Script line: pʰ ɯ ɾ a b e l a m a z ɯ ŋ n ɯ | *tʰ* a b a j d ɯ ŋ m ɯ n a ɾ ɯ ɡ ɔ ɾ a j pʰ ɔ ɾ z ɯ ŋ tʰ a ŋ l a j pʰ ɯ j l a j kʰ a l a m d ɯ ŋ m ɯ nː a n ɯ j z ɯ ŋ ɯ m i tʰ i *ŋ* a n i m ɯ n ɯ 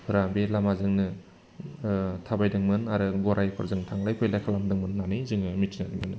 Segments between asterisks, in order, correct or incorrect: correct, incorrect: n

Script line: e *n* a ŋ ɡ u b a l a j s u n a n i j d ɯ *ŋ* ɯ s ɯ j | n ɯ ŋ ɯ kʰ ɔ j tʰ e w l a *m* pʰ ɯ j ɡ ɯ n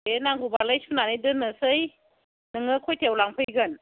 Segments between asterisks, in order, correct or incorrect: correct, incorrect: n, incorrect: ŋ

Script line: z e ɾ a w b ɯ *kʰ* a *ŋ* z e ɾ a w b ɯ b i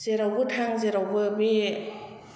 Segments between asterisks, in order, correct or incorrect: incorrect: tʰ, correct

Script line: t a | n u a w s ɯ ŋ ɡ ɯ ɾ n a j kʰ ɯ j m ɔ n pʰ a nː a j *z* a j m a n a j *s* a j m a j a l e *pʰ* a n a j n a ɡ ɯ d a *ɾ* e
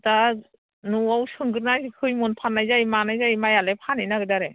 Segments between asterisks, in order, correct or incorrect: correct, incorrect: z, correct, correct

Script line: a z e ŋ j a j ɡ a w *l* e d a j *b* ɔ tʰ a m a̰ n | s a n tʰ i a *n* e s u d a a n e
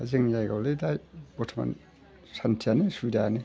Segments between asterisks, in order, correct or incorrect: correct, correct, correct

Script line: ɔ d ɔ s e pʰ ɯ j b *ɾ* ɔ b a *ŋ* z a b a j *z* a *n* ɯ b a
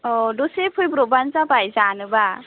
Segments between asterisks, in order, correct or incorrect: correct, incorrect: n, correct, correct

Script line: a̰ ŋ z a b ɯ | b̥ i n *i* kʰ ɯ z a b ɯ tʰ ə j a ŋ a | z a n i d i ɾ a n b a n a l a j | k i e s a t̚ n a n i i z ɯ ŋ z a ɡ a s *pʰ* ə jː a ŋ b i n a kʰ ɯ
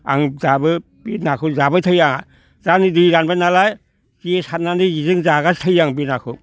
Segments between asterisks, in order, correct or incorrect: incorrect: a, incorrect: tʰ

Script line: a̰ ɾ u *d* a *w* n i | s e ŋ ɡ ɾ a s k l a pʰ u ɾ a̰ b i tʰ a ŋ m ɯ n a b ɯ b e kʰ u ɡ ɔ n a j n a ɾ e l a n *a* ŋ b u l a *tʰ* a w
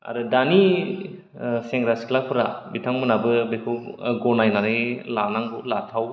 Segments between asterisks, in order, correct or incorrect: correct, incorrect: none, correct, correct

